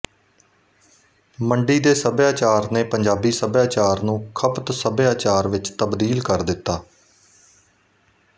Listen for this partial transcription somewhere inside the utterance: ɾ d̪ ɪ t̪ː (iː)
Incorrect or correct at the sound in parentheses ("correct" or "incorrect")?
incorrect